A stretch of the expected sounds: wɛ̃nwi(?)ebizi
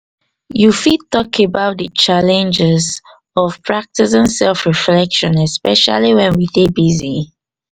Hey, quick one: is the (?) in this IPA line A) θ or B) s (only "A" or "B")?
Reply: A